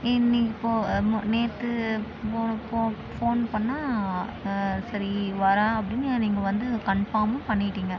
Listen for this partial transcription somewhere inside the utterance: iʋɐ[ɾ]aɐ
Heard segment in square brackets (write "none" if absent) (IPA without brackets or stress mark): ɾ